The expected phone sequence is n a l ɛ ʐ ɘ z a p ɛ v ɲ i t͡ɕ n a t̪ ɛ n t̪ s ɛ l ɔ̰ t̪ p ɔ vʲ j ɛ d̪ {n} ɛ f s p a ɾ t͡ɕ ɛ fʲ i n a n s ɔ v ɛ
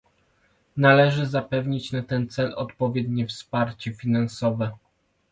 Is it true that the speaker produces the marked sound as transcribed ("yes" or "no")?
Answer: no